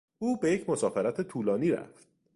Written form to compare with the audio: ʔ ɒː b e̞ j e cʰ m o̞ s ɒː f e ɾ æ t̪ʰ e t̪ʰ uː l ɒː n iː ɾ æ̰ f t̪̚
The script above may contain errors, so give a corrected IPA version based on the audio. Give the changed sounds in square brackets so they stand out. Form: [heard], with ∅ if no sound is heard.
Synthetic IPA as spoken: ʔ [uː] b e̞ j e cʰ m o̞ s ɒː f e ɾ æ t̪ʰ e t̪ʰ uː l ɒː n iː ɾ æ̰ f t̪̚